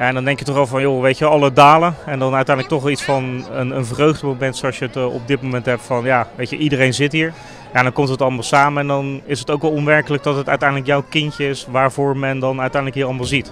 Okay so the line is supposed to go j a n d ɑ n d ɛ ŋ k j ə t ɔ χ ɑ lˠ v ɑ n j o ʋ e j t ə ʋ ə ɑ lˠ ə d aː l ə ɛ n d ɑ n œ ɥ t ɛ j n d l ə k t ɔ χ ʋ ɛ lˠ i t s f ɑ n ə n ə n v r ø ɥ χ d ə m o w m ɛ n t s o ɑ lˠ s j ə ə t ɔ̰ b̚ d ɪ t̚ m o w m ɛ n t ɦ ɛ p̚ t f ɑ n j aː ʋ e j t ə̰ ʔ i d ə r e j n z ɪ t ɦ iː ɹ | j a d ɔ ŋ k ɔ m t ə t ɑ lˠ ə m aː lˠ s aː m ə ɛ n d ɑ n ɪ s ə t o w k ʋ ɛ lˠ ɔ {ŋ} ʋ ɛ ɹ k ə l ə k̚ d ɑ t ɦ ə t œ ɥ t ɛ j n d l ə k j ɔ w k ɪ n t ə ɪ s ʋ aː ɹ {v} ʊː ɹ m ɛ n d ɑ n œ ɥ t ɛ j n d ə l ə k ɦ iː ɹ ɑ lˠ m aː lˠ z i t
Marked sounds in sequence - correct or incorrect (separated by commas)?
incorrect, correct